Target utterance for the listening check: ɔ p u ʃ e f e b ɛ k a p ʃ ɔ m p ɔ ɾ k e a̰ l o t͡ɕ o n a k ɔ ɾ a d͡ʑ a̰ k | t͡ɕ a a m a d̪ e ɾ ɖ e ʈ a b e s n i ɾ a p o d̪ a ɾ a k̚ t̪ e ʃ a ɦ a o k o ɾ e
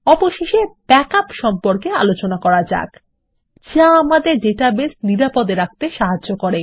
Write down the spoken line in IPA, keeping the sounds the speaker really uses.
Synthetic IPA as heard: ɔ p o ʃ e ʃ e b ɛ k a p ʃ ɔ m p o ɾ k e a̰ l o t͡ɕ o n a k ɔ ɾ a d͡ʑ a̰ k | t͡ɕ a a m a d̪ e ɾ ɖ e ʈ a b e s n i ɾ a p o d̪ e ɾ a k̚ t̪ e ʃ a ɦ a o k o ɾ e